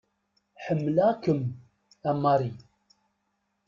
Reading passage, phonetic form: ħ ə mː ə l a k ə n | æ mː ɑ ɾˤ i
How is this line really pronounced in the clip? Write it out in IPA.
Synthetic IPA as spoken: ħ ə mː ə l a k ə m | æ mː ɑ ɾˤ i